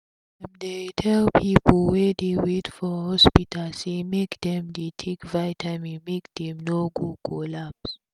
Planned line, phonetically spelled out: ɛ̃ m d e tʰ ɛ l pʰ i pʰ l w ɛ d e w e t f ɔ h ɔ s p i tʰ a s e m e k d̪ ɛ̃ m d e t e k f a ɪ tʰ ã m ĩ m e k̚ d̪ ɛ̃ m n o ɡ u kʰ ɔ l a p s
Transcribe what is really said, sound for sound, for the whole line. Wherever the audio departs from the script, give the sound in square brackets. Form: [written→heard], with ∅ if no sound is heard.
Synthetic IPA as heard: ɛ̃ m d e tʰ ɛ l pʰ i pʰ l w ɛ d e w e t f ɔ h ɔ s p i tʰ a s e m e k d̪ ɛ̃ m d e [t→tʰ] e k [f→v] a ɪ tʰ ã m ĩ m e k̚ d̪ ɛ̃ m n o ɡ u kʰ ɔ l a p s

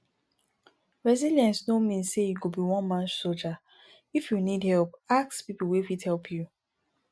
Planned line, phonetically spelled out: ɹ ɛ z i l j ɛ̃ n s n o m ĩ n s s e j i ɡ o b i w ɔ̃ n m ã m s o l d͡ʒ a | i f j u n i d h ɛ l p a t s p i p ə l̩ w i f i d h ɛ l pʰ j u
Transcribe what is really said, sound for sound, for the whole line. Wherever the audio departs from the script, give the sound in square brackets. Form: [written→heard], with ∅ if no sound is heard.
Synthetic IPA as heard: ɹ ɛ z i l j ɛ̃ n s n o m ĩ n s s e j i ɡ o b i w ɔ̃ n m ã [m→n] s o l d͡ʒ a | i f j u n i d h ɛ l p a [t→k] s p i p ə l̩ w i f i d h ɛ l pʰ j u

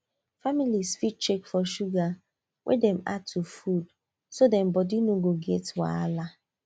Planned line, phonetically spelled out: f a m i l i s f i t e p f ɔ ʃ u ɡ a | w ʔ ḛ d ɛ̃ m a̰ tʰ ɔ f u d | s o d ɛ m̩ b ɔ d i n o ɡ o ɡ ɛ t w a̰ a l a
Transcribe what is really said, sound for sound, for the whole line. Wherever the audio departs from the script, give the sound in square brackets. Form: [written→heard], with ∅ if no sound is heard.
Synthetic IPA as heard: f a m i l i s f i [t→t͡ʃ] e [p→k] f ɔ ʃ u ɡ a | w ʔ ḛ d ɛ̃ m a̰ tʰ [ɔ→u] f u d | s o d ɛ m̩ b ɔ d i n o ɡ o ɡ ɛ t w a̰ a l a

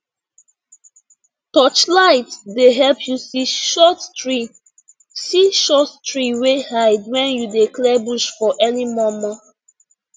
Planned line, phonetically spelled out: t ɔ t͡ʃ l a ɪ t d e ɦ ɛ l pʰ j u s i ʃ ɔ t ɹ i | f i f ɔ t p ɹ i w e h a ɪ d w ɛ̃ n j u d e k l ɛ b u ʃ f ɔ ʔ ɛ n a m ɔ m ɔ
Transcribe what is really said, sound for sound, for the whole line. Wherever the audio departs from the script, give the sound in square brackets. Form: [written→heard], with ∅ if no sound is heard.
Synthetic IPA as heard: t ɔ t͡ʃ l a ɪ t d e ɦ ɛ l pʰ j u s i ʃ ɔ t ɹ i | [f→s] i [f→ʃ] ɔ t [p→t] ɹ i w e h a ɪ d w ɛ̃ n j u d e k l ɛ b u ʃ f ɔ ʔ ɛ n [a→i] m ɔ m ɔ

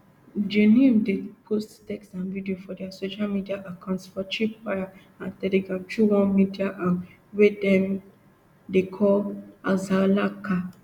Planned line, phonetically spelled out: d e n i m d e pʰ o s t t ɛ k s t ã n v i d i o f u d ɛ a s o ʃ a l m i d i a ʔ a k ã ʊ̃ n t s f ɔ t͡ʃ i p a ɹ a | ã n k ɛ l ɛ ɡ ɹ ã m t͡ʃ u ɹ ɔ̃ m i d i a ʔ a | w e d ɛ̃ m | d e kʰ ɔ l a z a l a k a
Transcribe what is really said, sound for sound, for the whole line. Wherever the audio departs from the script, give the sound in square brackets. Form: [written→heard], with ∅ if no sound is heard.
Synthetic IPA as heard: [d→d͡ʒ] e n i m d e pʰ o s t t ɛ k s t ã n v i d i o f [u→ɔ] d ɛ a s o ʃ a l m i d i a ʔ a k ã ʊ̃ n t s f ɔ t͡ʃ i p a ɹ a | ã n [k→t] ɛ l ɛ ɡ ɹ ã m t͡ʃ u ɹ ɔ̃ m i d i a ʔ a | w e d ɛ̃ m | d e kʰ ɔ l a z a l a k a

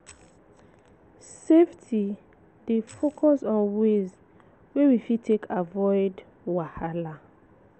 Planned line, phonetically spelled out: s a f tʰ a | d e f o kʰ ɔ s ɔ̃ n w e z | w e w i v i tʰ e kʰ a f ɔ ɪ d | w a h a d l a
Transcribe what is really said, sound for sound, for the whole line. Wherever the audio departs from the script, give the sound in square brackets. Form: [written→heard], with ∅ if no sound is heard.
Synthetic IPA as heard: s [a→e] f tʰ [a→i] | d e f o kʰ ɔ s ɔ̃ n w e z | w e w i [v→f] i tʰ e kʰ a [f→v] ɔ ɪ d | w a h a [d→∅] l a

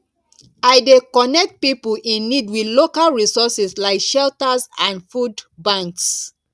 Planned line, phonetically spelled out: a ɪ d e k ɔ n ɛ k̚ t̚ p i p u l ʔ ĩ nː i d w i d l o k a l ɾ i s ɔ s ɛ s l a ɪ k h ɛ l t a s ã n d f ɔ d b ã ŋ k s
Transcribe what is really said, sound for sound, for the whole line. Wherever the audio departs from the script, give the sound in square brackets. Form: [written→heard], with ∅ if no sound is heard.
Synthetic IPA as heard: a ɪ d e k ɔ n ɛ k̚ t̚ p i p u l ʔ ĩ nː i d w i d l o k a l [ɾ→ɹ] i s ɔ s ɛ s l a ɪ k [h→ʃ] ɛ l t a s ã n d f [ɔ→u] d b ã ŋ k s

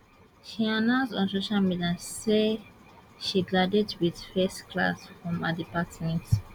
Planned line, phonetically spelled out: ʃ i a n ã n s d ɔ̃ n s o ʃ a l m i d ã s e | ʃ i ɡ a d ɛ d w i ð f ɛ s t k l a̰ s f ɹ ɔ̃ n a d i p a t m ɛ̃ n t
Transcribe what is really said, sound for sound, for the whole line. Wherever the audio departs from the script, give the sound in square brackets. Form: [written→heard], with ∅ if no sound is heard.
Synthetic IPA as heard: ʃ i a n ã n s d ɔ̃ n s o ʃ a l m i d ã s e | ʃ i ɡ a d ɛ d w i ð f ɛ s t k l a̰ s f ɹ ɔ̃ [n→m] a d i p a t m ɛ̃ n t

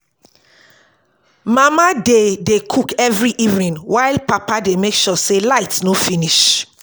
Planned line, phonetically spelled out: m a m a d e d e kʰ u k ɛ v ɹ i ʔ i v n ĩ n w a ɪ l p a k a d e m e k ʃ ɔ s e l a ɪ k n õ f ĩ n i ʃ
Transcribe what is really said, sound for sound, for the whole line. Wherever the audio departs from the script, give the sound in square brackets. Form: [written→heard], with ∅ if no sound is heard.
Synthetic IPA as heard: m a m a d e d e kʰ u k ɛ v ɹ i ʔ i v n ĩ n w a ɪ l p a [k→p] a d e m e k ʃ ɔ s e l a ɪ [k→t] n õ f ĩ n i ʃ

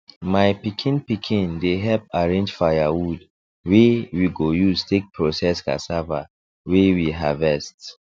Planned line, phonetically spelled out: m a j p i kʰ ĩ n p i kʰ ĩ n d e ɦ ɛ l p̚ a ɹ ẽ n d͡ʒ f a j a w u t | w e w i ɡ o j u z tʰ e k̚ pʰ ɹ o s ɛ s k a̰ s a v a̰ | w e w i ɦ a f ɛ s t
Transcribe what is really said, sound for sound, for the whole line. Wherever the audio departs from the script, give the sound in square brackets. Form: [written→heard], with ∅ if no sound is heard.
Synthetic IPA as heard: m a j p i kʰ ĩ n p i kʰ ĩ n d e ɦ ɛ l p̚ a ɹ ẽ n d͡ʒ f a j a w u [t→d] | w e w i ɡ o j u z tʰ e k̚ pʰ ɹ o s ɛ s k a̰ s a v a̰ | w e w i ɦ a [f→v] ɛ s t

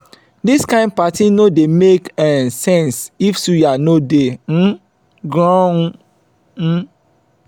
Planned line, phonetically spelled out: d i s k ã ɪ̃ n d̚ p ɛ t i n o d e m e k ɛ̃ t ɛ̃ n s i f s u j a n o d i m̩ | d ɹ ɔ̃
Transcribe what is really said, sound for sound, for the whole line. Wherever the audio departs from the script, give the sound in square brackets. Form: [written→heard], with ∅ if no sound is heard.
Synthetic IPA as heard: d i s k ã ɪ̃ n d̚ p [ɛ→a] t i n o d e m e k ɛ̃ [t→s] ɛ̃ n s i f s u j a n o d [i→e] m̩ | [d→ɡ] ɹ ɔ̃

